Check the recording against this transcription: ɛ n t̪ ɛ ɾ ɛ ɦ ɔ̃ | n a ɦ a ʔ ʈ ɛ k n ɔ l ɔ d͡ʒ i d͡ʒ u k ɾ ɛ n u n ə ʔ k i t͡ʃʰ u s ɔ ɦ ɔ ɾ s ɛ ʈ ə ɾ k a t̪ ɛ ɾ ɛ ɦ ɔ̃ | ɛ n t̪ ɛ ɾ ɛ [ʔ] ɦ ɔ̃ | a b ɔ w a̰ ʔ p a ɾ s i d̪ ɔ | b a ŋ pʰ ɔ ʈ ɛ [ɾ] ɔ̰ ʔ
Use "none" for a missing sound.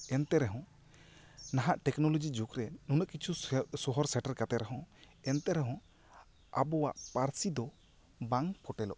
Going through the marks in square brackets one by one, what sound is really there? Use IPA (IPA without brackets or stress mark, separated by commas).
none, l